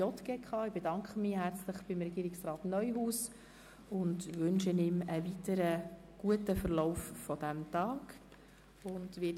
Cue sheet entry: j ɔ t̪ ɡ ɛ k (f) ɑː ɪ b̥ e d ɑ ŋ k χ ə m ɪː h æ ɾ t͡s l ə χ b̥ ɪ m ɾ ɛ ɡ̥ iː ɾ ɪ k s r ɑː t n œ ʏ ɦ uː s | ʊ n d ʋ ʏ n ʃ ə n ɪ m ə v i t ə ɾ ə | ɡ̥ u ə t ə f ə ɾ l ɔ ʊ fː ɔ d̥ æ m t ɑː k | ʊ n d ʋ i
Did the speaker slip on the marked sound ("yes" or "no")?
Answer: yes